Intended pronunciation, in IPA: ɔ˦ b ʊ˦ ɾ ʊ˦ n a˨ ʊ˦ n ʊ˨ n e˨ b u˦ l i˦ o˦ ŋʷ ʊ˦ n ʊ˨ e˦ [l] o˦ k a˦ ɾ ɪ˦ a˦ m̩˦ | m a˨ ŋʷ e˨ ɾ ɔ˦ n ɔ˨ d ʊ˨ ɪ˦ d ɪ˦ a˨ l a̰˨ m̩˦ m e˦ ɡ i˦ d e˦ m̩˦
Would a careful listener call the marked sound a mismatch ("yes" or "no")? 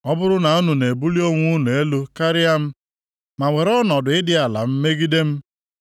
no